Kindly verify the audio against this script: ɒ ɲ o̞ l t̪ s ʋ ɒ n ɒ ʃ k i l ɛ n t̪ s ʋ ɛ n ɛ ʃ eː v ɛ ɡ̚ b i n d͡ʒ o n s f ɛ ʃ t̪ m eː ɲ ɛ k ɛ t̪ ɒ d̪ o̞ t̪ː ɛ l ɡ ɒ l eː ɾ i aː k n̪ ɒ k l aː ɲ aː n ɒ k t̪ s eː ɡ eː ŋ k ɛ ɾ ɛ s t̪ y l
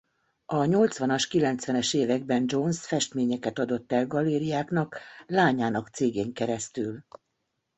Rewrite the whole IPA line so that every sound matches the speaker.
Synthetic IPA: ɒ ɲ o̞ l t̪ s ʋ ɒ n ɒ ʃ k i l ɛ n t̪ s ʋ ɛ n ɛ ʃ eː v ɛ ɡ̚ b ɛ n d͡ʒ o n s f ɛ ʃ t̪ m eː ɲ ɛ k ɛ t̪ ɒ d̪ o̞ t̪ː ɛ l ɡ ɒ l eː ɾ i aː k n̪ ɒ k l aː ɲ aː n ɒ k t̪ s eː ɡ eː ŋ k ɛ ɾ ɛ s t̪ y l

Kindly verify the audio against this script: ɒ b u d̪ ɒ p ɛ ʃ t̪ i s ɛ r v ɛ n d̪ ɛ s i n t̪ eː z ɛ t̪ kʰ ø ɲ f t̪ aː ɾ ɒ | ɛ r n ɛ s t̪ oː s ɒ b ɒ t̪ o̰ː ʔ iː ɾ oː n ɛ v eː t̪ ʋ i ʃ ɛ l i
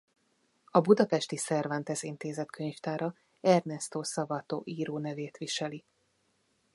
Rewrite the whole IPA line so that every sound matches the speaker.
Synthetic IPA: ɒ b u d̪ ɒ p ɛ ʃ t̪ i s ɛ r v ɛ n t̪ ɛ s i n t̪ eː z ɛ t̪ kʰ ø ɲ f t̪ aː ɾ ɒ | ɛ r n ɛ s t̪ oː s ɒ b ɒ t̪ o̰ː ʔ iː ɾ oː n ɛ v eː t̪ ʋ i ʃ ɛ l i

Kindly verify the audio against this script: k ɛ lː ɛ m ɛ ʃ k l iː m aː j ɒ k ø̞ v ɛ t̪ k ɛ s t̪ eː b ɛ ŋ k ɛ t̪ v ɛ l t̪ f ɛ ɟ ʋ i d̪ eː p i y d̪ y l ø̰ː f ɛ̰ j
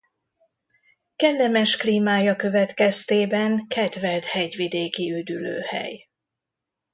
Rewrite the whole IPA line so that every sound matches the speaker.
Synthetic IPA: k ɛ lː ɛ m ɛ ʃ k l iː m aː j ɒ k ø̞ v ɛ t̪ k ɛ s t̪ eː b ɛ ŋ k ɛ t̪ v ɛ l t̪ h ɛ ɟ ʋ i d̪ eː k i y d̪ y l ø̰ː h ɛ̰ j

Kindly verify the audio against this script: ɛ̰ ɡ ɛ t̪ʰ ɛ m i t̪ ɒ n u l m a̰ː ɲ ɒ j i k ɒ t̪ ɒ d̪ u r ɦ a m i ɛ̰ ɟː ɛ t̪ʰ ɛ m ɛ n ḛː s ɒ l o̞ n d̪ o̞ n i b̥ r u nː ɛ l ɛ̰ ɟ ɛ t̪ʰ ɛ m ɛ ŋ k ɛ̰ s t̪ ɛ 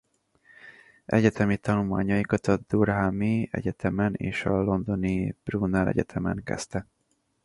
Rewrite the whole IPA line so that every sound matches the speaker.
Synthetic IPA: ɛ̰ ɟ ɛ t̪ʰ ɛ m i t̪ ɒ n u l m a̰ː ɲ ɒ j i k ɒ t̪ ɒ d̪ u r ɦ a m i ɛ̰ ɟ ɛ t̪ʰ ɛ m ɛ n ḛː ʃ ɒ l o̞ n d̪ o̞ n i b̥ r u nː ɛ l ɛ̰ ɟ ɛ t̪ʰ ɛ m ɛ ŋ k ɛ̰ s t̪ ɛ

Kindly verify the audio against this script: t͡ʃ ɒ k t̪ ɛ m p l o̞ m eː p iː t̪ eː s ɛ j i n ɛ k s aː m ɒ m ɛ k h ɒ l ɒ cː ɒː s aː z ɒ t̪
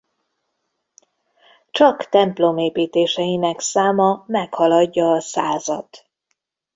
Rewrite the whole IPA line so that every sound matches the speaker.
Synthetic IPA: t͡ʃ ɒ k t̪ ɛ m p l o̞ m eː p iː t̪ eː ʃ ɛ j i n ɛ k s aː m ɒ m ɛ k h ɒ l ɒ ɟː ɒː s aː z ɒ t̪

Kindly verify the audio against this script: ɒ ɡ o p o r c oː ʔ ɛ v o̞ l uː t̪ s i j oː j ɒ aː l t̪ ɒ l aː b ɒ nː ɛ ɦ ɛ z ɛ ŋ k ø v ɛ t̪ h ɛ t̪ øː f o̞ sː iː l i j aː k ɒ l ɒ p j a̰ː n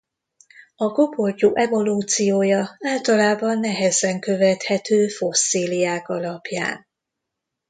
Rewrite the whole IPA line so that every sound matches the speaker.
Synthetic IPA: ɒ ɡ o p o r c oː ʔ ɛ v o̞ l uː t̪ s i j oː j ɒ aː l t̪ ɒ l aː b ɒ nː ɛ ɦ ɛ z ɛ ŋ k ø v ɛ t̪ h ɛ t̪ øː f o̞ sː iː l i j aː k ɒ l ɒ p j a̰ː n

